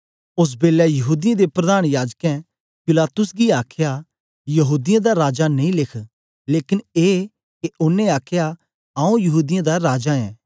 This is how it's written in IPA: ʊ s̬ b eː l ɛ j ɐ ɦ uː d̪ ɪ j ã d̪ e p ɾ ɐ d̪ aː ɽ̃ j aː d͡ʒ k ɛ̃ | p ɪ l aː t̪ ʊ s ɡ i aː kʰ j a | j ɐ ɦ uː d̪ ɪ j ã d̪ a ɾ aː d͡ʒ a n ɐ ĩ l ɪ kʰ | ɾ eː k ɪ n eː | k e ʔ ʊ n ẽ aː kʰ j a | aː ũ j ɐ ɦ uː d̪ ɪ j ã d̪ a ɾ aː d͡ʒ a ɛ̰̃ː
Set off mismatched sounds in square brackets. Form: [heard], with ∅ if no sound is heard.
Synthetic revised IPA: ʊ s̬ b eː l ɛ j ɐ ɦ uː d̪ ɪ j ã d̪ e p ɾ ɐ d̪ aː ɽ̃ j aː d͡ʒ k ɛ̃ | p ɪ l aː t̪ ʊ s ɡ i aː kʰ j a | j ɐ ɦ uː d̪ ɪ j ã d̪ a ɾ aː d͡ʒ a n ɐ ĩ l ɪ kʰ | [l] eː k ɪ n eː | k e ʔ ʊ n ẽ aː kʰ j a | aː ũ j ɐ ɦ uː d̪ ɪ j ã d̪ a ɾ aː d͡ʒ a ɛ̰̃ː